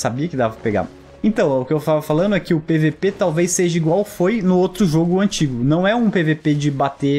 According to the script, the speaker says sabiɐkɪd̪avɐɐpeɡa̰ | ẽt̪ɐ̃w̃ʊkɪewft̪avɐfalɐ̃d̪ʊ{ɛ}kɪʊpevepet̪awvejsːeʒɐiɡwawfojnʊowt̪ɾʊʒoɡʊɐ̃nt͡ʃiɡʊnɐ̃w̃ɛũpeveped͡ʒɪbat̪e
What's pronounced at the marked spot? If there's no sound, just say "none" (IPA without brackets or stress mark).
ɛ